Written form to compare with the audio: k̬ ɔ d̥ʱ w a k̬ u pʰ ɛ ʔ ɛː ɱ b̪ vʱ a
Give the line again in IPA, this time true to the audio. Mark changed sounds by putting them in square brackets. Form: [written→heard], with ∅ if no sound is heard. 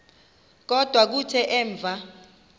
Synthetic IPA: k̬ ɔ d̥ʱ w a k̬ u [pʰ→tʰ] ɛ ʔ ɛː ɱ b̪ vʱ a